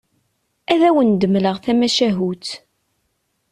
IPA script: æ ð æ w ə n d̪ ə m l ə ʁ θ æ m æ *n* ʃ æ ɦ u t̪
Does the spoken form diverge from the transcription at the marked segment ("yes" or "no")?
yes